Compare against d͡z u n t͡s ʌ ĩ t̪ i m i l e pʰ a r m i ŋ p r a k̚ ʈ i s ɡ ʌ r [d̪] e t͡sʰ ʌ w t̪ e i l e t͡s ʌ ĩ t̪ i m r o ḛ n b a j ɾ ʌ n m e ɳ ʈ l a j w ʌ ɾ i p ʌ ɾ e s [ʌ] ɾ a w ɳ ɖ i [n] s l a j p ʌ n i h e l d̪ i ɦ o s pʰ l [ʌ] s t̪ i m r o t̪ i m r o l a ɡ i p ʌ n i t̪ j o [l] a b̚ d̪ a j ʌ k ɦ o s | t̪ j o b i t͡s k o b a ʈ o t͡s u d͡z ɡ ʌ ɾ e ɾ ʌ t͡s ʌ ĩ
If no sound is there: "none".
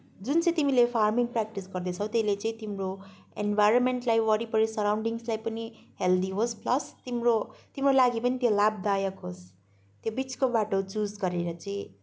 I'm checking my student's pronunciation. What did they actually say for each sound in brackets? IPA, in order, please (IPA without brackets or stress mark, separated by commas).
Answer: d̪, ʌ, ŋ, ʌ, l